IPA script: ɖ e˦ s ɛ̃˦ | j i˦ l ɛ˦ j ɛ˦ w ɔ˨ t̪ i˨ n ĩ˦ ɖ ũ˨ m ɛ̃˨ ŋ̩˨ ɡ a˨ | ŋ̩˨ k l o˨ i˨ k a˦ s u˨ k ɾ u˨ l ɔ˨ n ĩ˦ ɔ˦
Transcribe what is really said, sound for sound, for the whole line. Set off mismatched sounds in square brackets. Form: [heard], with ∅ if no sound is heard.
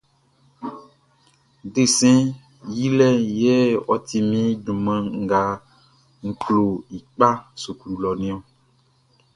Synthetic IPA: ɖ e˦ s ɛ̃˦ | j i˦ l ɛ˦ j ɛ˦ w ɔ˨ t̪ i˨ [m] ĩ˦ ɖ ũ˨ m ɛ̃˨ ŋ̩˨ ɡ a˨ | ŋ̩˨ k l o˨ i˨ [k͡p] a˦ s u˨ k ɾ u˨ l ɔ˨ n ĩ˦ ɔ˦